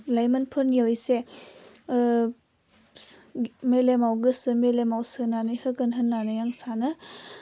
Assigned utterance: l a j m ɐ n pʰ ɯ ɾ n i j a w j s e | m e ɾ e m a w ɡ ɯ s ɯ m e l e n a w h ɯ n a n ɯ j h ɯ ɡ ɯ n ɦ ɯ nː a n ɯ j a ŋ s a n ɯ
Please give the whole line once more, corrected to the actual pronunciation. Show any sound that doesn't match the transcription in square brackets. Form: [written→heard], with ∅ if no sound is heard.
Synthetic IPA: l a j m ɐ n pʰ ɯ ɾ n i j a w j s e | m e [ɾ→l] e m a w ɡ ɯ s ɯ m e l e [n→m] a w [h→s] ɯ n a n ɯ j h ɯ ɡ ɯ n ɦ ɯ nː a n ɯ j a ŋ s a n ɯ